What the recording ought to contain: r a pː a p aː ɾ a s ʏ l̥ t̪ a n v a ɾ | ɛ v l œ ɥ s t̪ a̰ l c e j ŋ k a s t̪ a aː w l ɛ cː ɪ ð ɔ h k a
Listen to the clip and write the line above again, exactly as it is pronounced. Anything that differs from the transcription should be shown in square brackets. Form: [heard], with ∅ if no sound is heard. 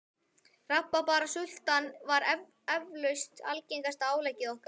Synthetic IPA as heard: r a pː a p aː ɾ a s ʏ l̥ t̪ a n v a ɾ | ɛ v l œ ɥ s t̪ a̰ l c e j ŋ k a s t̪ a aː w l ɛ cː ɪ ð ɔ h k a